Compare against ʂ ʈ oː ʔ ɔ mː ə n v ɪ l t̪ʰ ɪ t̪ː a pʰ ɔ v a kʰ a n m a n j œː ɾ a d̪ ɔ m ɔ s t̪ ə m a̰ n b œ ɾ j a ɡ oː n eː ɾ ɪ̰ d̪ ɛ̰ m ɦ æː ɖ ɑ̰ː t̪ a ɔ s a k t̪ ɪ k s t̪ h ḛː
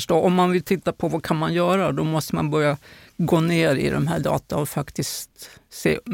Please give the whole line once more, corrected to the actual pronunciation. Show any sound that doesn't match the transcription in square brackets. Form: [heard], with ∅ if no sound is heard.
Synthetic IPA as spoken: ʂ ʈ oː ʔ ɔ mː [a] n v ɪ l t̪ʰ ɪ t̪ː a pʰ ɔ v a kʰ a n m a n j œː ɾ a d̪ ɔ m ɔ s t̪ ə m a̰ n b œ ɾ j a ɡ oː n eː ɾ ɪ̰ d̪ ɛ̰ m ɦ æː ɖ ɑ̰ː t̪ a ɔ [f] a k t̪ ɪ [∅] s t̪ [s] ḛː